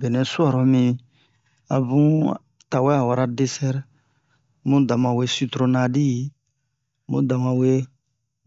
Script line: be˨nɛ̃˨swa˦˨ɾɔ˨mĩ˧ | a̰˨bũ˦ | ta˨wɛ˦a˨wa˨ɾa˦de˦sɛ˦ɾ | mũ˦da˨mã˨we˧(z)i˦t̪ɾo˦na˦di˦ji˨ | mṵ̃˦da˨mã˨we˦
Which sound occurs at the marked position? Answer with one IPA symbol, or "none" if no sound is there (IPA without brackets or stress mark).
s